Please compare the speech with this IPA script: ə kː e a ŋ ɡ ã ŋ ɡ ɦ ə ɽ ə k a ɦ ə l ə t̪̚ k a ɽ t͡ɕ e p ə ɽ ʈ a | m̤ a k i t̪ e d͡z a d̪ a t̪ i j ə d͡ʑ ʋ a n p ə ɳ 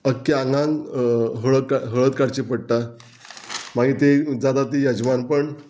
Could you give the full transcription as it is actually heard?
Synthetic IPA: ə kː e a ŋ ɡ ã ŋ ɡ ɦ ə ɭ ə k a ɦ ə ɭ ə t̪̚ k a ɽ t͡ɕ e p ə ɽ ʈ a | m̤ a ɡ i t̪ e d͡z a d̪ a t̪ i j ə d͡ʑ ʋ a n p ə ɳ